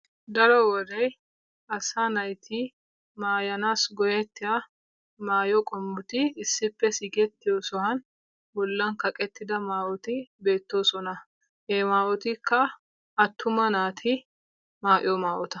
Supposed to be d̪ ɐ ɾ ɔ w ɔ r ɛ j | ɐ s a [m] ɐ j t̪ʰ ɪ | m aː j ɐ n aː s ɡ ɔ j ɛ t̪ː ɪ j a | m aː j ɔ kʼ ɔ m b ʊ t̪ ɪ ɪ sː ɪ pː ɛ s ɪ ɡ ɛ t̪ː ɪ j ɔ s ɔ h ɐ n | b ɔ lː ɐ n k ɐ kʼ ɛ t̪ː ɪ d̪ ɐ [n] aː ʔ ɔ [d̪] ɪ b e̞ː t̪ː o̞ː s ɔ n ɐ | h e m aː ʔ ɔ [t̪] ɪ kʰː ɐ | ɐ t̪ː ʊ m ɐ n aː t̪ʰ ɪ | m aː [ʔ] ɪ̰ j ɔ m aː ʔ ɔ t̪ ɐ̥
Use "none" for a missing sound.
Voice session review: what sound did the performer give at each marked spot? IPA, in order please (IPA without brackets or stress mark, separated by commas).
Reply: n, m, t̪, t̪, ʔ